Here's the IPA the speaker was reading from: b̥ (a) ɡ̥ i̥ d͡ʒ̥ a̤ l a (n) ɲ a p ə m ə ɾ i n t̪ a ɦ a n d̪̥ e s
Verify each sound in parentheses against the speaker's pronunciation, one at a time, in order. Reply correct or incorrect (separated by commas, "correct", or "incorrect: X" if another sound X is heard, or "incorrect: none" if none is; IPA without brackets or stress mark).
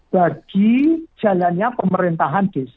correct, correct